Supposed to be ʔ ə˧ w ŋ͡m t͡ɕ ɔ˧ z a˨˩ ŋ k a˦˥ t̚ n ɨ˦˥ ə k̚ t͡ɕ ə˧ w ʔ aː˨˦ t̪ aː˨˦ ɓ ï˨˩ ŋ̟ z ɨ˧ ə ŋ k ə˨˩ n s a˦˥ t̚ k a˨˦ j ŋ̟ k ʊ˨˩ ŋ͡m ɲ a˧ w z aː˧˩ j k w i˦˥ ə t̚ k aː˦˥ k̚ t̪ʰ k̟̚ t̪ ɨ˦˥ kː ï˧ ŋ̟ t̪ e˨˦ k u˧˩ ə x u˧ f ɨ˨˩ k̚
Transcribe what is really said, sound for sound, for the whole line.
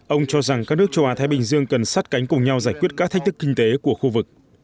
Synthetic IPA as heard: ʔ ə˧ w ŋ͡m t͡ɕ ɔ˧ z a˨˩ ŋ k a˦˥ k̚ n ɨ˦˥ ə k̚ t͡ɕ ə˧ w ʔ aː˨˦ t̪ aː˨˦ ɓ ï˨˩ ŋ̟ z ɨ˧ ə ŋ k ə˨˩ n s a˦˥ t̚ k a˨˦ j ŋ̟ k ʊ˨˩ ŋ͡m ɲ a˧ w z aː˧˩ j k w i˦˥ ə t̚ k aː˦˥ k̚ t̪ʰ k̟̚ t̪ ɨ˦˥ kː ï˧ ŋ̟ t̪ e˨˦ k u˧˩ ə x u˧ v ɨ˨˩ k̚